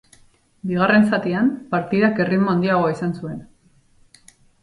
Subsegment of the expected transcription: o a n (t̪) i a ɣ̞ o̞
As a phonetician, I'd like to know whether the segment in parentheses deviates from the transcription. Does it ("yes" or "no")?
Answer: yes